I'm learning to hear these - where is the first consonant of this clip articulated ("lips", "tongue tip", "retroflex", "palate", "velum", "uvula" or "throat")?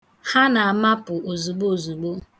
throat